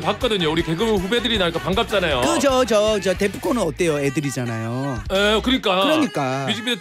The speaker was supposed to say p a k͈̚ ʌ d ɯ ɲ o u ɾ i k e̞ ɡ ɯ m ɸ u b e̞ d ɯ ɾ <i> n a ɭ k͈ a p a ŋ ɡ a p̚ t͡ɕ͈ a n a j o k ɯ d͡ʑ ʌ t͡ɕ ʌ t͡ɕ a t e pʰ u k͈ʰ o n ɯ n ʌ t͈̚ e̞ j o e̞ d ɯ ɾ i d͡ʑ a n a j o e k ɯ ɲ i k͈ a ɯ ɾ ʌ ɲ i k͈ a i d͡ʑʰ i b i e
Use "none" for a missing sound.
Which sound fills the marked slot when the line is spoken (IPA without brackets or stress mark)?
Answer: i